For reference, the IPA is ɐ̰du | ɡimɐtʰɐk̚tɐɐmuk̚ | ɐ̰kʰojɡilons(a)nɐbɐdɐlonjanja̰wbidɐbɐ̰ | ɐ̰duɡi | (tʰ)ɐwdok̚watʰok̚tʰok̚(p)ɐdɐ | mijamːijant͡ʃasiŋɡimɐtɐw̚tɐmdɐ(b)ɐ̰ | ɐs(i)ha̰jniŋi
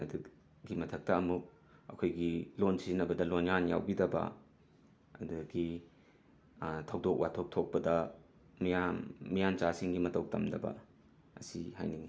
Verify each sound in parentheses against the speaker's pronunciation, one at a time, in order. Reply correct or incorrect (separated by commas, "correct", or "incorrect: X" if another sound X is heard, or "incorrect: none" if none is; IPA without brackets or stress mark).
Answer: incorrect: i, correct, correct, correct, correct